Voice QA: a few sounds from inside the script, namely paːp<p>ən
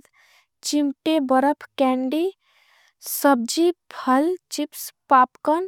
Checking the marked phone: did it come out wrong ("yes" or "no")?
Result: yes